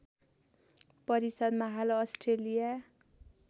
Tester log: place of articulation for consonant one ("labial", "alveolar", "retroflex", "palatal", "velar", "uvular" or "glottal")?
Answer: labial